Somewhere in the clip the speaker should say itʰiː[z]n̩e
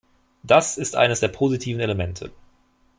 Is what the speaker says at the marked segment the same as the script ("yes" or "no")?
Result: no